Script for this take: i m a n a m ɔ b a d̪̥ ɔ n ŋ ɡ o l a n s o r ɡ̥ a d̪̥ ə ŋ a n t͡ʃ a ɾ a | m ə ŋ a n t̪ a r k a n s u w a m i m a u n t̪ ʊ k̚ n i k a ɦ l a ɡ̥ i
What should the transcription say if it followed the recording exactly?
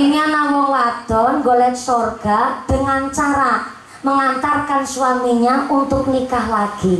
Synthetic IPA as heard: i ɲ a n a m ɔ w a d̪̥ ɔ n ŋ ɡ o l ɛ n s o r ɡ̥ a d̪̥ ə ŋ a n t͡ʃ a ɾ a | m ə ŋ a n t̪ a r k a n s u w a m i ɲ a u n t̪ ʊ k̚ n i k a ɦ l a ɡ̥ i